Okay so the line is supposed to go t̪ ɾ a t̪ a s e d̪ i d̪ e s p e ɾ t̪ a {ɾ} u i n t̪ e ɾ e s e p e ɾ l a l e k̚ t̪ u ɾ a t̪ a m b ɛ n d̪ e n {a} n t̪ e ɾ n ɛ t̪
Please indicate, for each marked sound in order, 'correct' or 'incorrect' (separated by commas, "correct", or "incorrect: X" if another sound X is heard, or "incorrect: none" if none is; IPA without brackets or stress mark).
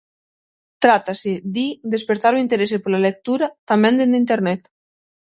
correct, incorrect: i